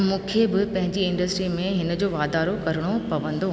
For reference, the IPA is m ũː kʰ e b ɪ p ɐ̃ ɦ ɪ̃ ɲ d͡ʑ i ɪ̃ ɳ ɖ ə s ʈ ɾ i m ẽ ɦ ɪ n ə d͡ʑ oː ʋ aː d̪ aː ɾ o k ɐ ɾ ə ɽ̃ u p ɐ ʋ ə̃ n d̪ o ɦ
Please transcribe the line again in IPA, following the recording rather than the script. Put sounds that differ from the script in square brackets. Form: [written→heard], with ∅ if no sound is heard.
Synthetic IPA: m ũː kʰ e b ɪ p ɐ̃ ɦ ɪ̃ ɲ d͡ʑ i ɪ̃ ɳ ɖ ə s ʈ ɾ i m ẽ ɦ ɪ n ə d͡ʑ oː ʋ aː d̪ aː ɾ o k ɐ ɾ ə ɽ̃ [u→o] p ɐ ʋ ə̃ n d̪ o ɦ